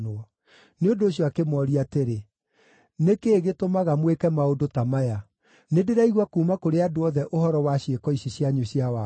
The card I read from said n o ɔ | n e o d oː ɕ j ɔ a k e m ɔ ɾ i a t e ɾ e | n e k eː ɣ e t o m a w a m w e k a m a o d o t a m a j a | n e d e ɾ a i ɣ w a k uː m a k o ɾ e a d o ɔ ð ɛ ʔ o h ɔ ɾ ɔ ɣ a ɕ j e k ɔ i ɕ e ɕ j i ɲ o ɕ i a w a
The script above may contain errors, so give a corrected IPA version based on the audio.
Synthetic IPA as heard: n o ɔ | n e o d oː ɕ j ɔ a k e m ɔ ɾ i a t e ɾ e | n e k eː ɣ e t o m a ɣ a m w e k ɛ m a o d o t a m a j a | n e d e ɾ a i ɣ w a k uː m a k o ɾ e a d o ɔ ð ɛ ʔ o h ɔ ɾ ɔ w a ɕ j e k ɔ i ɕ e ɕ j a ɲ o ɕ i a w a